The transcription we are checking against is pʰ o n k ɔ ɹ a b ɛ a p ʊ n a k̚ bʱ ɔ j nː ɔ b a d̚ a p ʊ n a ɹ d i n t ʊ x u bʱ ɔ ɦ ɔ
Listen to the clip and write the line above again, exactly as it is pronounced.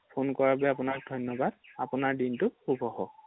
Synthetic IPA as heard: pʰ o n k ɔ ɹ a b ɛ a p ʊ n a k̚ dʱ ɔ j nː ɔ b a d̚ a p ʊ n a ɹ d i n t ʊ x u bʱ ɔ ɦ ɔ